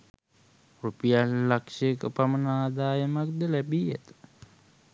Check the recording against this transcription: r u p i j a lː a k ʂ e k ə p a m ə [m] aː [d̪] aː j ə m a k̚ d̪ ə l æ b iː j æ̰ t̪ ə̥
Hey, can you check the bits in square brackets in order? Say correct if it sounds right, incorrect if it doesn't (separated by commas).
incorrect, correct